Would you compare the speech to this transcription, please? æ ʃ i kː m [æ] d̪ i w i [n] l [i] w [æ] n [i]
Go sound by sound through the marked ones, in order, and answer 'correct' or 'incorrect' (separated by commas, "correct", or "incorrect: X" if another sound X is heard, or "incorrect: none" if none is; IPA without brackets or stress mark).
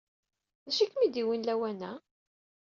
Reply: incorrect: i, correct, incorrect: æ, correct, incorrect: æ